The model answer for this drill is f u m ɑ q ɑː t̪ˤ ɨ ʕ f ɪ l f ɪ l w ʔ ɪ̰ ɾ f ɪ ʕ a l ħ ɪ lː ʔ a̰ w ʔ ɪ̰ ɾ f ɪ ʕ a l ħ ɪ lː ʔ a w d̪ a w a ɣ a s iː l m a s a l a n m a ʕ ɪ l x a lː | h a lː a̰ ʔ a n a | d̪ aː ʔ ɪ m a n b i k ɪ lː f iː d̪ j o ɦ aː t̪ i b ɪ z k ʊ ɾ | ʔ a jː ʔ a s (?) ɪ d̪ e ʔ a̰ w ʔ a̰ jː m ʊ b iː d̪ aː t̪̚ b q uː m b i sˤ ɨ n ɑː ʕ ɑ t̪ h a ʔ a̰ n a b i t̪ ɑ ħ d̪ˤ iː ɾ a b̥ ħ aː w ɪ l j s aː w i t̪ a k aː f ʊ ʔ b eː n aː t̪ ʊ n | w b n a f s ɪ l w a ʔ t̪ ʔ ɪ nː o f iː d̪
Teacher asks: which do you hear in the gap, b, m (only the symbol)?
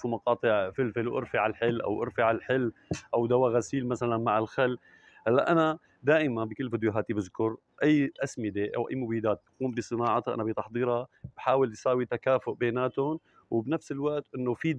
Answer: m